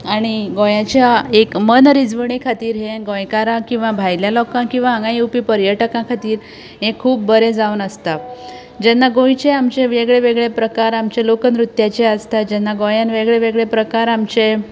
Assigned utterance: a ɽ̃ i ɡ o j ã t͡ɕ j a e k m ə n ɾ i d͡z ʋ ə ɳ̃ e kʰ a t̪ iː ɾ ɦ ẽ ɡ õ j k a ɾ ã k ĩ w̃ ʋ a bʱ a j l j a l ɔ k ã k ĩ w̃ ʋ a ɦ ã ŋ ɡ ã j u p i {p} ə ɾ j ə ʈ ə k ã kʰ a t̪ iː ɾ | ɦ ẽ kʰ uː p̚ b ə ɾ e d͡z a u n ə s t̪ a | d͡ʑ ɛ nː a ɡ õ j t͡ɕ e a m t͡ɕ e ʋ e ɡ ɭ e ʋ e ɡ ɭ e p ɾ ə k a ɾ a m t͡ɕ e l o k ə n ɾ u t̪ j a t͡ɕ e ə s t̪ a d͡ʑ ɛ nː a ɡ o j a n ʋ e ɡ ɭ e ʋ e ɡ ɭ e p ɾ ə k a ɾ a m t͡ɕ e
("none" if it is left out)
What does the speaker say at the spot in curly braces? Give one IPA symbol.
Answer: p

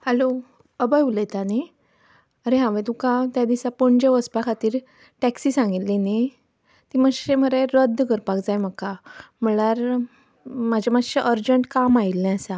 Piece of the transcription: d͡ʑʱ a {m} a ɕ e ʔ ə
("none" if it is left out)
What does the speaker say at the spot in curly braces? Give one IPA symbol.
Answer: m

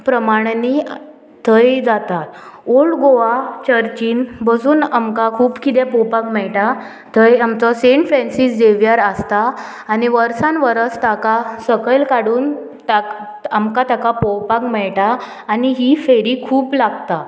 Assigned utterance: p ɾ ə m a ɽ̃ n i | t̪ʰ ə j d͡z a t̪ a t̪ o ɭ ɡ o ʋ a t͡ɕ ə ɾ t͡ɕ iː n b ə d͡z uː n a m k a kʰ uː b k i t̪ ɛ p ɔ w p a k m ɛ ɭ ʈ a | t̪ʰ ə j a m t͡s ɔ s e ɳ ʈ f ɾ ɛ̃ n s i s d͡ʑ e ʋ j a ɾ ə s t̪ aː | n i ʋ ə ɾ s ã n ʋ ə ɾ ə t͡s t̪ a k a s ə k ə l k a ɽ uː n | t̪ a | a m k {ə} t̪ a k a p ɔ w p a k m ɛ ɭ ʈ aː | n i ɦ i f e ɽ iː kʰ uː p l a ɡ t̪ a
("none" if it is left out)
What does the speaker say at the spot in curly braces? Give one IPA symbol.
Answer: a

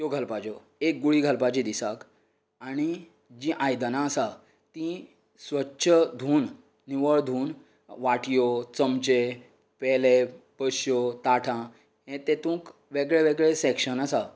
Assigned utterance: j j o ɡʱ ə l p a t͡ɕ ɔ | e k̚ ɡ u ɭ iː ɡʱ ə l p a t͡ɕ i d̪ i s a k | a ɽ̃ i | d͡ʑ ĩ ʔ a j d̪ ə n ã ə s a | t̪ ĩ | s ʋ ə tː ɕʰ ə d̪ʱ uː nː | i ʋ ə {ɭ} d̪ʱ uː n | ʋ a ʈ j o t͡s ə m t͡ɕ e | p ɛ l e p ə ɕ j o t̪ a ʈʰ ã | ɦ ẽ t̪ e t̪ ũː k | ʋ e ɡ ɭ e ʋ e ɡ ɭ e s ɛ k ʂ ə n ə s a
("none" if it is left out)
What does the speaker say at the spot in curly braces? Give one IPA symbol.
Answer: ɭ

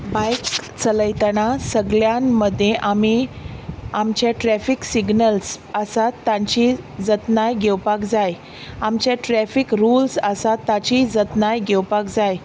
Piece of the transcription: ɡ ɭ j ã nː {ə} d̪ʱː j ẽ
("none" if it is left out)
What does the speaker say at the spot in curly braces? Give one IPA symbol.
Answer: ə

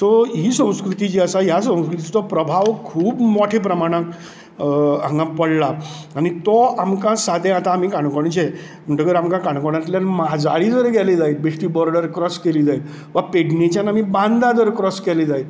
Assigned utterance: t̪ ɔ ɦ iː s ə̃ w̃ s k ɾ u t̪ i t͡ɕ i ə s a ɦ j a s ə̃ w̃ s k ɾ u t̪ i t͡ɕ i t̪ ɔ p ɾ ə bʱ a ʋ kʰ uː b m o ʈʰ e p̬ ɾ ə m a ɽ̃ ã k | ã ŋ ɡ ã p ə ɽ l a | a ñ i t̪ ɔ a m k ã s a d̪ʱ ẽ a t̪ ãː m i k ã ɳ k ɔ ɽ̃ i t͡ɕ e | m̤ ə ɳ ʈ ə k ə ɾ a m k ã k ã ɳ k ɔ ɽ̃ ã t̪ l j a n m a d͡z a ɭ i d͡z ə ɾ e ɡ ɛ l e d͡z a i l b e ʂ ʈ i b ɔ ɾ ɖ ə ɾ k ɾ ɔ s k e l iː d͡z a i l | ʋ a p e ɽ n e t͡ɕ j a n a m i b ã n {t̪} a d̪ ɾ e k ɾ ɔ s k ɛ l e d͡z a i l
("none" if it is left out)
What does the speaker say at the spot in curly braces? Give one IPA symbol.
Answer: d̪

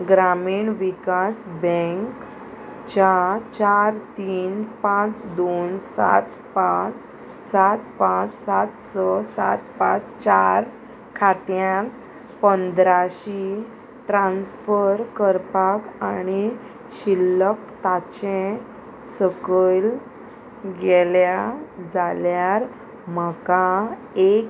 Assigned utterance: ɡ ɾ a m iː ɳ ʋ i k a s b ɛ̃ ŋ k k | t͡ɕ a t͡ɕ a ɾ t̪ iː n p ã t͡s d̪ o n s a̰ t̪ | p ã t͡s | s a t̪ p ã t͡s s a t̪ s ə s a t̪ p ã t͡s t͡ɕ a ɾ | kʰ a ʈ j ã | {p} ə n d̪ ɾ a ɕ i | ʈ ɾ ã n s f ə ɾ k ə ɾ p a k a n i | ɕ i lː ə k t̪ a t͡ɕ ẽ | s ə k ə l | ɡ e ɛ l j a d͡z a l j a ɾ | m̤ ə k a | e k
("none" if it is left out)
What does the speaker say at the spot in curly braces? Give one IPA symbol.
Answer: p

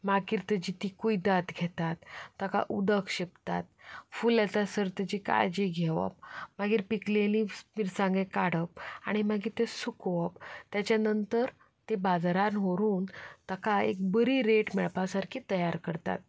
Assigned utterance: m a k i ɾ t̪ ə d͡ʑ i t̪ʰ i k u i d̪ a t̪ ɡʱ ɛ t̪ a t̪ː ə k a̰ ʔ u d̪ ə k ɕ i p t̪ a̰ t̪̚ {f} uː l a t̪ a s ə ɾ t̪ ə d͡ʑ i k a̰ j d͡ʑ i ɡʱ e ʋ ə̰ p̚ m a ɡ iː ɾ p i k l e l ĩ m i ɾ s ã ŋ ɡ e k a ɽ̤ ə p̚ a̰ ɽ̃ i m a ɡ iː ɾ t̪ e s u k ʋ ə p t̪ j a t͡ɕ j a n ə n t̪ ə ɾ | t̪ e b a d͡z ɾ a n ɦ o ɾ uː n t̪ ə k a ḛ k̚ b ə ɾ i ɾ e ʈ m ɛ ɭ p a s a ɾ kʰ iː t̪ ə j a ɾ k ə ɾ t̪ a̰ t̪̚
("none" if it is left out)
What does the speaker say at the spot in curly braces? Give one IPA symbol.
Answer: f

